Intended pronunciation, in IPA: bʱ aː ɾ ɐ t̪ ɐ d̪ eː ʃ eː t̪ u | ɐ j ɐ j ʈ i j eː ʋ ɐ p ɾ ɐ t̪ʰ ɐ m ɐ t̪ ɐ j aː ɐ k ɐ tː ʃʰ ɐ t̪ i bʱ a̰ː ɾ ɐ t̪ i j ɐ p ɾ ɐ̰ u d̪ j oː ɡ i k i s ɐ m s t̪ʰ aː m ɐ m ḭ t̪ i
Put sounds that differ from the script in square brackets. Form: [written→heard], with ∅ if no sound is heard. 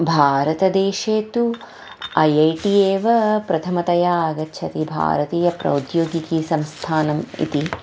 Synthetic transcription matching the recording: bʱ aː ɾ ɐ t̪ ɐ d̪ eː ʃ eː t̪ u | ɐ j ɐ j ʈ i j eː ʋ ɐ p ɾ ɐ t̪ʰ ɐ m ɐ t̪ ɐ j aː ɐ [k→ɡ] ɐ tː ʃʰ ɐ t̪ i bʱ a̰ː ɾ ɐ t̪ [i→iː] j ɐ p ɾ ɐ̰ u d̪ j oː ɡ i k i s ɐ m s t̪ʰ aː [m→n] ɐ m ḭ t̪ i